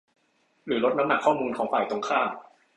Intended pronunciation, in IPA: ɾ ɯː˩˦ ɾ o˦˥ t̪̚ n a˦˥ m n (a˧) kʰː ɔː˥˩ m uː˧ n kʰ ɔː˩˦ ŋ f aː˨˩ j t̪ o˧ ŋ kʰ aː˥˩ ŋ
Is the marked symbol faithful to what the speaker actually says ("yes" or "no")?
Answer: no